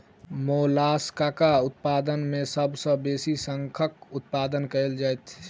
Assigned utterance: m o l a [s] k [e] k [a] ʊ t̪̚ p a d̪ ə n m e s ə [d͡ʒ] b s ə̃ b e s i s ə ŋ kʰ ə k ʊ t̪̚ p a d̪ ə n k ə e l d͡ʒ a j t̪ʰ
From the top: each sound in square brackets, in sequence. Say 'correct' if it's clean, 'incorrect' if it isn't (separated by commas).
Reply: correct, incorrect, correct, incorrect